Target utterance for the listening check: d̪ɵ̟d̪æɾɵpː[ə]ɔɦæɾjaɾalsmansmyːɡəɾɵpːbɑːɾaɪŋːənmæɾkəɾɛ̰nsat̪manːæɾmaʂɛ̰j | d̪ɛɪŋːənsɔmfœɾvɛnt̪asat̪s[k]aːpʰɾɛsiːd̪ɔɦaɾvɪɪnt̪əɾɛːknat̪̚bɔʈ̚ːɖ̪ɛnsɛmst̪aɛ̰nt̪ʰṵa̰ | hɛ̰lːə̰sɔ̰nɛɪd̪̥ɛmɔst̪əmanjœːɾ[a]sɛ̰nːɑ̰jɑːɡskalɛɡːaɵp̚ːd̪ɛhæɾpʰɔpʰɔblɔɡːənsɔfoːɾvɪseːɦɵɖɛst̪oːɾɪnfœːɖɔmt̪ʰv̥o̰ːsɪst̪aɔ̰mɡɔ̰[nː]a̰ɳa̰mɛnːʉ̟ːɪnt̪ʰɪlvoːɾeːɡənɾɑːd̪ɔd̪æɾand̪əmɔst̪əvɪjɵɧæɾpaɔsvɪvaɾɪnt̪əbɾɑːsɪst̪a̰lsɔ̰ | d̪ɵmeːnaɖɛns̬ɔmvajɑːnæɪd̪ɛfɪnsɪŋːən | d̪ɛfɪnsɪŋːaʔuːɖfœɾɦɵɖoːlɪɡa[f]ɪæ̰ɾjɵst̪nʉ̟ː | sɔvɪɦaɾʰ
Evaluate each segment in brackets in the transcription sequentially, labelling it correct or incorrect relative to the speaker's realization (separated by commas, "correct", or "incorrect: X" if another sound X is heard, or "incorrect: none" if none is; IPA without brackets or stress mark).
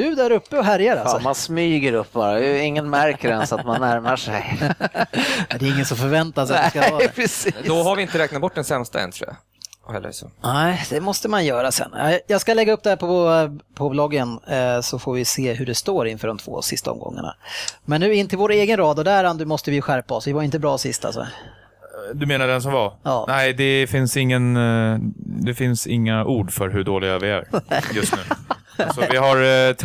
correct, correct, correct, incorrect: ŋː, incorrect: v